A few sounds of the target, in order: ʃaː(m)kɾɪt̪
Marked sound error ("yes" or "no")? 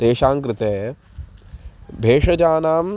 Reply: yes